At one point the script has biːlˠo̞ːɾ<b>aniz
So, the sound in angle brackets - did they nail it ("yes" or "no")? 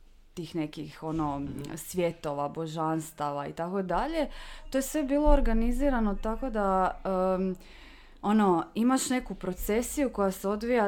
no